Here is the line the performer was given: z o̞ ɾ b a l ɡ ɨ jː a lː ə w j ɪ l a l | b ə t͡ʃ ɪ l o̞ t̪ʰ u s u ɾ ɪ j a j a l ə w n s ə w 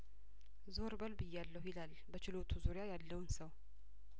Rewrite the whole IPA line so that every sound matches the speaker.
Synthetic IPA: z o̞ ɾ b ə l b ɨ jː a lː ə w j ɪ l a l | b ə t͡ʃ ɪ l o̞ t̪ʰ u z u ɾ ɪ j a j a lː ə w n s ə w